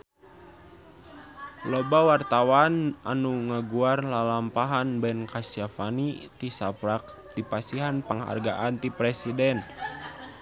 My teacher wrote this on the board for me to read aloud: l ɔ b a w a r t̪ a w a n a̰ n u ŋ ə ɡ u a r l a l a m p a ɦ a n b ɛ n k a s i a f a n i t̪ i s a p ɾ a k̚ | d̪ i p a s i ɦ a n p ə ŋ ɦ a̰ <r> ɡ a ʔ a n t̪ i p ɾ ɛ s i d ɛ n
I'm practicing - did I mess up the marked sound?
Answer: no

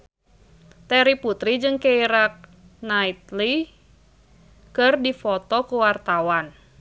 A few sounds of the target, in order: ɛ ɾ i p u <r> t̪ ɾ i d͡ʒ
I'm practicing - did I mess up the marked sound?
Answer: yes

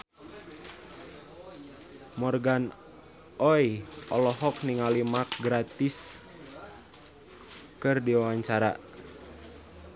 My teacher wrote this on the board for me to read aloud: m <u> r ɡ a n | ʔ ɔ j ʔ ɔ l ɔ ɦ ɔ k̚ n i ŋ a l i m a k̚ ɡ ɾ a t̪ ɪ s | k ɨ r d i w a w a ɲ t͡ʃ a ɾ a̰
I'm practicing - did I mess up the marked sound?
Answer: yes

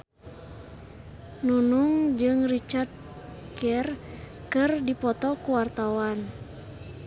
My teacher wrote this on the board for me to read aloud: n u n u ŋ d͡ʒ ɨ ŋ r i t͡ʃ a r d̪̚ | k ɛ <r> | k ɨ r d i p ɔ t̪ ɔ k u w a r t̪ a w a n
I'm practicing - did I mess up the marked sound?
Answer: no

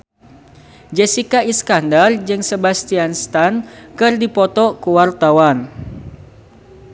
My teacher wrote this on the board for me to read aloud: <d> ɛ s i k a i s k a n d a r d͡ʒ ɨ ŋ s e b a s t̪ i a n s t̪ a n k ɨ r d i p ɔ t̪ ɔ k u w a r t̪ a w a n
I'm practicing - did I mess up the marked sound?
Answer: yes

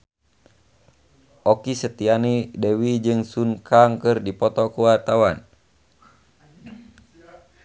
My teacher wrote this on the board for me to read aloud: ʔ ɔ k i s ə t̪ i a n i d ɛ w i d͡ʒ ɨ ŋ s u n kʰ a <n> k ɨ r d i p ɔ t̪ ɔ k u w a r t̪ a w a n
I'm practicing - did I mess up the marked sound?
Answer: yes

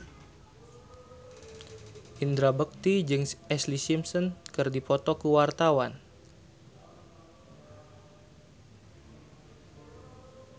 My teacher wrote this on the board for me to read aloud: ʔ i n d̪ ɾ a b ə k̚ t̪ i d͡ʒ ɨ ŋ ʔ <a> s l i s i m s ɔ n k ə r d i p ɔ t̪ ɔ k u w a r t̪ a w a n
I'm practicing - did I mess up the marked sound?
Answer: yes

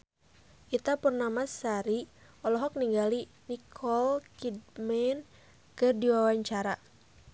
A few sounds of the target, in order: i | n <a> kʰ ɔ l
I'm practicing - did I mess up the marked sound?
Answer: yes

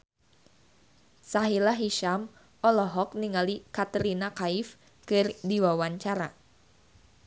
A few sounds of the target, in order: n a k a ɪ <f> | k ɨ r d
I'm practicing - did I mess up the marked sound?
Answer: no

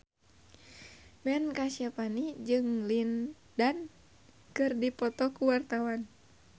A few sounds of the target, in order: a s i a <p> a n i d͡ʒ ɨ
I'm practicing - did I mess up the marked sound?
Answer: no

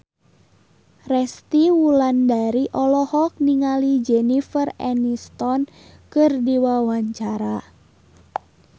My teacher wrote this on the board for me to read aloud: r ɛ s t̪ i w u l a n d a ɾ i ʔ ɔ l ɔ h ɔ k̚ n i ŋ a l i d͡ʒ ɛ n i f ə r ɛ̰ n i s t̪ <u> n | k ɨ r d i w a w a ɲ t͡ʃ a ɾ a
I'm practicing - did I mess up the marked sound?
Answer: yes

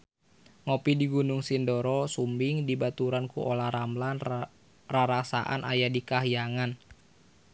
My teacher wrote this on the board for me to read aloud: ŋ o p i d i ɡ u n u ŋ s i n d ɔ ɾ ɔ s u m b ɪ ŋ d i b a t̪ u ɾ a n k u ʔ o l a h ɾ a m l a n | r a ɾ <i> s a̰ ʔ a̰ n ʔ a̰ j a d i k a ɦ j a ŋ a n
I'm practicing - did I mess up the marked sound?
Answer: yes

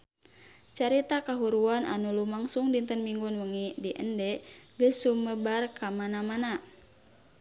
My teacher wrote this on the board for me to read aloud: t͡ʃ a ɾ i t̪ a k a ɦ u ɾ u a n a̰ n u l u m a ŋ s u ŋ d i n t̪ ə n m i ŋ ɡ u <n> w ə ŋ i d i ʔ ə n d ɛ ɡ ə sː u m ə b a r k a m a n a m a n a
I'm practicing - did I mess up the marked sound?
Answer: no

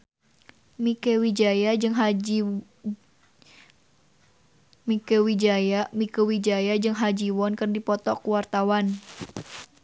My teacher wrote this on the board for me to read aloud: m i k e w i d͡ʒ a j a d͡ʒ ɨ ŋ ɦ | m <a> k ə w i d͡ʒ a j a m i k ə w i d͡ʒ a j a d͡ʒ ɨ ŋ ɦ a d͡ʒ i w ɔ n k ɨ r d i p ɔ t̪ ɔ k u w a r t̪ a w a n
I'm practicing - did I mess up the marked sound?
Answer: yes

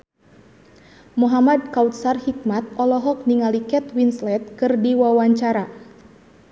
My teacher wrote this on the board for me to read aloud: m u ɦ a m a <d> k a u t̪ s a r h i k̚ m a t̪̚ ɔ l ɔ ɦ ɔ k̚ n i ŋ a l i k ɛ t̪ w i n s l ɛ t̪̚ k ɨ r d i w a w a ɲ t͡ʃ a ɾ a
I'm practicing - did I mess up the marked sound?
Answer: no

